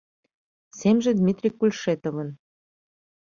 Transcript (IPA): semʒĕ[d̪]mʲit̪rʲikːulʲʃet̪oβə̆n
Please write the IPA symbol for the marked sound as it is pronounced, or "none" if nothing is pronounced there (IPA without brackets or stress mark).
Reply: d̪